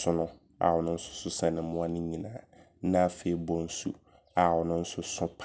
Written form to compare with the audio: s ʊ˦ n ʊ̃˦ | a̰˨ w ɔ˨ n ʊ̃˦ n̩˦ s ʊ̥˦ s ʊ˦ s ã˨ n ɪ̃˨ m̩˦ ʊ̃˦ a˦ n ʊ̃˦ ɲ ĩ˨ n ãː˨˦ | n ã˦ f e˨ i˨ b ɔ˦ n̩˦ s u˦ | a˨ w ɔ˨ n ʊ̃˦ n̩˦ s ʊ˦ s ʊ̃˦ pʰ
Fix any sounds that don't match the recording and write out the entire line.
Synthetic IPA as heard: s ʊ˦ n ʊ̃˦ | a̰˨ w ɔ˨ n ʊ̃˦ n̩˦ s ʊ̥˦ s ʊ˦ s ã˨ n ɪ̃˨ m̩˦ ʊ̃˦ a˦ n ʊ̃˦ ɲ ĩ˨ n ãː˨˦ | n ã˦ f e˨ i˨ b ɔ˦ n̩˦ s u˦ | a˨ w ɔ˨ n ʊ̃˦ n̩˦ s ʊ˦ s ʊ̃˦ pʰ